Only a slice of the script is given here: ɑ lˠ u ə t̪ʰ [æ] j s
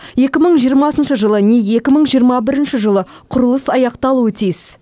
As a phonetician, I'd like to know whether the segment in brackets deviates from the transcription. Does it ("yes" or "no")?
yes